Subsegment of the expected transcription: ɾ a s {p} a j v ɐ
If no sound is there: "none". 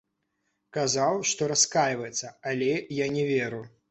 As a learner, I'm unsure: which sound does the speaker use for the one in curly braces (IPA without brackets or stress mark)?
k